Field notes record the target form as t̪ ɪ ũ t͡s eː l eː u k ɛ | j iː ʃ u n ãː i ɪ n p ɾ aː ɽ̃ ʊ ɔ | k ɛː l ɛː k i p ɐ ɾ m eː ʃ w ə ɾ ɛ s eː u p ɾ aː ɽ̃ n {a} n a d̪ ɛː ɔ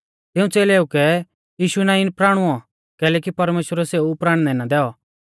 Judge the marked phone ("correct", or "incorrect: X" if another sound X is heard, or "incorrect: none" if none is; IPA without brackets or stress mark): incorrect: ɛ